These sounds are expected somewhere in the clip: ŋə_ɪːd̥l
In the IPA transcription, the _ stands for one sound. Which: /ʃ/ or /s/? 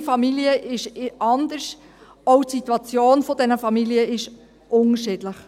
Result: ʃ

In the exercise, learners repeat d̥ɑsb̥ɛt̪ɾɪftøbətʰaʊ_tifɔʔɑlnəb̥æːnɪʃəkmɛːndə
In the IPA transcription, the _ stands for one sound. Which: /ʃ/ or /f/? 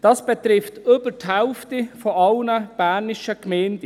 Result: f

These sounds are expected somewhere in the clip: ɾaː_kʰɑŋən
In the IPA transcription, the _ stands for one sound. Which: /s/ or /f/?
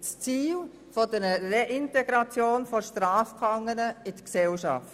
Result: f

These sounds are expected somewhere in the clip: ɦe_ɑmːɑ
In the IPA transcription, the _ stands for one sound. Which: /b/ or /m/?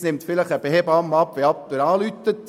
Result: b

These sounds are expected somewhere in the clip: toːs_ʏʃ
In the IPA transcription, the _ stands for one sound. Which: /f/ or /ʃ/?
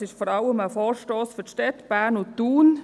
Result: f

